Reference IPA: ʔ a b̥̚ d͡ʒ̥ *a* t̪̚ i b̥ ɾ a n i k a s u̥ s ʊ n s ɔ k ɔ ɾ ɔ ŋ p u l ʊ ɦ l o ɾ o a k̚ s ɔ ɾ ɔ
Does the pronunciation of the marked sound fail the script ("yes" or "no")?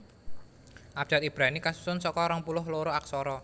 no